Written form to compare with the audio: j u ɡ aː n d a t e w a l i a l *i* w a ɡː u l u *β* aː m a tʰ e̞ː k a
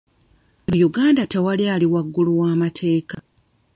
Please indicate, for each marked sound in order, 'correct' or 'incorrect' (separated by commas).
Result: correct, incorrect